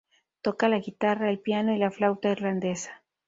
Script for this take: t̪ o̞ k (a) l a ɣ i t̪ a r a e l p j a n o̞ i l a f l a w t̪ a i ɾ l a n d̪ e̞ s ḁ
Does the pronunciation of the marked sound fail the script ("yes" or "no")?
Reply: no